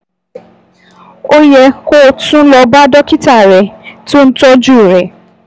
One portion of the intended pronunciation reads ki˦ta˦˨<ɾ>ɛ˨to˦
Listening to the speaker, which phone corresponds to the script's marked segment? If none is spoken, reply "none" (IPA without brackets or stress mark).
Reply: ɾ